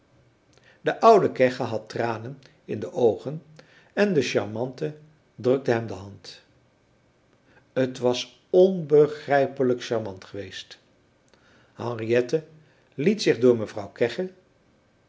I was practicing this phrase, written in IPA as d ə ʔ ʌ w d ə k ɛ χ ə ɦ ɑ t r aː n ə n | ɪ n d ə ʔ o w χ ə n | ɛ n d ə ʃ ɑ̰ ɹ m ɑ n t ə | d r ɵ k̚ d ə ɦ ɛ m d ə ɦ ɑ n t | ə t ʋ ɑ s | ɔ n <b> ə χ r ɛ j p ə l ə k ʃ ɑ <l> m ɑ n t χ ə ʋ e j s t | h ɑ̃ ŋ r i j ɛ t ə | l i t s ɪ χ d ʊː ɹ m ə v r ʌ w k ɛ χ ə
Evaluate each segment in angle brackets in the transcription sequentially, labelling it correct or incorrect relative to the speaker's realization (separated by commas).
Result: correct, incorrect